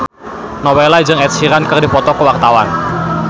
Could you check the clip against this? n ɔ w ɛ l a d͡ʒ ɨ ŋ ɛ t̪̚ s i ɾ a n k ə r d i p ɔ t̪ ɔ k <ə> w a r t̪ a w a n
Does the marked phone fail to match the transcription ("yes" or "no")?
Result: no